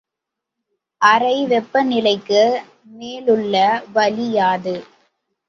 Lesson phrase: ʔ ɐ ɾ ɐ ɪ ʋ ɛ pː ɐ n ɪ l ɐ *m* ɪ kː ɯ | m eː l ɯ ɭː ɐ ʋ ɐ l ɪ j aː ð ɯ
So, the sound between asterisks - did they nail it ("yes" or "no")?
no